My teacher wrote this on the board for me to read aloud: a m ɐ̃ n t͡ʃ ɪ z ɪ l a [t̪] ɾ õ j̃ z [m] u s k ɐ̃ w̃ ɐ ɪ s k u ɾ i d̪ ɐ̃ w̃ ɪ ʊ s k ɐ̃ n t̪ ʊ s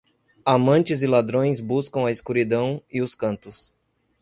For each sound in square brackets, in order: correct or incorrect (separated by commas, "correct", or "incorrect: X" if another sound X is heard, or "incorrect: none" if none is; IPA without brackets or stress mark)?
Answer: incorrect: d̪, incorrect: b